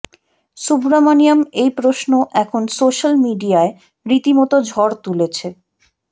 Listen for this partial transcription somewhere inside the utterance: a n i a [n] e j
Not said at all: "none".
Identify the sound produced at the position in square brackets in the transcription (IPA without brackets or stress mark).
m